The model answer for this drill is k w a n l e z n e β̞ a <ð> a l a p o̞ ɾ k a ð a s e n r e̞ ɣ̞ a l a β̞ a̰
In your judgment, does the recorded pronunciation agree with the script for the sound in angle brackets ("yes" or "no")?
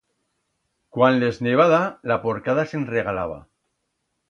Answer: yes